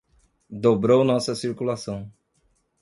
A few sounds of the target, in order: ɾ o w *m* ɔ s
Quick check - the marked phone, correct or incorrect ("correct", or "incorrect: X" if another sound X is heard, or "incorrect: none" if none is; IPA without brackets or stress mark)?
incorrect: n